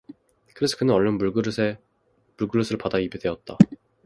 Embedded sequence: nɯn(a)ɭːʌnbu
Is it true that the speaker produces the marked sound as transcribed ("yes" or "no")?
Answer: no